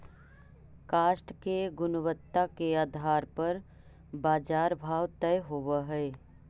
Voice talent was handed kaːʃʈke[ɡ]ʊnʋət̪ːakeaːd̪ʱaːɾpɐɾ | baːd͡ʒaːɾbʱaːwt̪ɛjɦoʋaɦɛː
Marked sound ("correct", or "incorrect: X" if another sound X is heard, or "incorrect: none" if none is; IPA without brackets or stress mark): correct